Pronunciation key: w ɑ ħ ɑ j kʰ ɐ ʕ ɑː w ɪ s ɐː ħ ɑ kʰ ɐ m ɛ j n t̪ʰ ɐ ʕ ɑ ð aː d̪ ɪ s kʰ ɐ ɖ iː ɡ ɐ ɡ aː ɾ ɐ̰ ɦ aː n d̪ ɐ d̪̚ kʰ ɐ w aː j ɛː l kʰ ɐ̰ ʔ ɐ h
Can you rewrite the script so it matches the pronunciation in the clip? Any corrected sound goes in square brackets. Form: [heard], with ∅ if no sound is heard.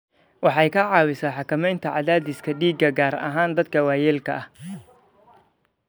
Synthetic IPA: w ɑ ħ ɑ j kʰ ɐ ʕ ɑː w ɪ s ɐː ħ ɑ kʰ ɐ m ɛ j n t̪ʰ ɐ ʕ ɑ ð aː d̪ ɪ s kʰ ɐ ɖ iː ɡ ɐ ɡ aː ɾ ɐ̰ ɦ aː n d̪ ɐ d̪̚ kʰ ɐ w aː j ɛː l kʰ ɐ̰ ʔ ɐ h